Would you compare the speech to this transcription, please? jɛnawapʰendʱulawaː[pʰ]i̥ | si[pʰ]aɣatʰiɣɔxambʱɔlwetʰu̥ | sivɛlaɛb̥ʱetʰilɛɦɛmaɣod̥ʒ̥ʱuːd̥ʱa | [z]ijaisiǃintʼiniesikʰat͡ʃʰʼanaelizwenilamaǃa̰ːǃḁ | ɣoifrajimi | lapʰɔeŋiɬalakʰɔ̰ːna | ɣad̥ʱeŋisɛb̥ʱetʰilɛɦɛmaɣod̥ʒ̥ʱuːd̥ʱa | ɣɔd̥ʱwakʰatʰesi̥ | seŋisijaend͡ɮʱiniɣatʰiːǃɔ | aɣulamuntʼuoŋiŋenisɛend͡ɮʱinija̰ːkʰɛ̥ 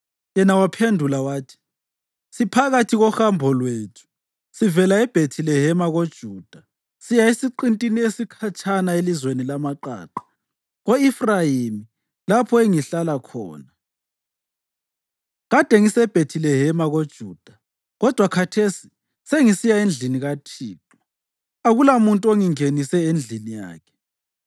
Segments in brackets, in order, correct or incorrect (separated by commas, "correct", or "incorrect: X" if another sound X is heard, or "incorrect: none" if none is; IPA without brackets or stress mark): incorrect: tʰ, correct, incorrect: s